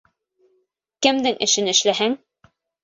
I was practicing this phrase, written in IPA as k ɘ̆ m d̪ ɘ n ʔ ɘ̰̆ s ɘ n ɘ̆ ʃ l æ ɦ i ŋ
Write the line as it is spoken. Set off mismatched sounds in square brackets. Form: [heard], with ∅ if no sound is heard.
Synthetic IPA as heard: k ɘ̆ m d̪ ɘ [ŋ] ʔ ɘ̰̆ [ʃ] ɘ n ɘ̆ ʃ l æ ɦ [æ] ŋ